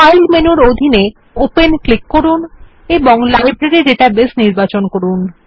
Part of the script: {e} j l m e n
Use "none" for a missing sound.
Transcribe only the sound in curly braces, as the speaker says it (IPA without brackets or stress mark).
a